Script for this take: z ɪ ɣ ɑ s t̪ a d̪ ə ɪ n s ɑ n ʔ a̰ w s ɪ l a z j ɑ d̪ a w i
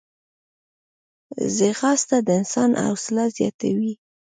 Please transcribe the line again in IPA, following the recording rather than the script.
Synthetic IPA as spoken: z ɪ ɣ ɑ s t̪ a d̪ ə ɪ n s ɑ n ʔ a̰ w s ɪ l a z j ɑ t̪ a w i